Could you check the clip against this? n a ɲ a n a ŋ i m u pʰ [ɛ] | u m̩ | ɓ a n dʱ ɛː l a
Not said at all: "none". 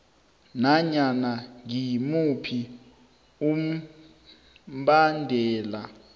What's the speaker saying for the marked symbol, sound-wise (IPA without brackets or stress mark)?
i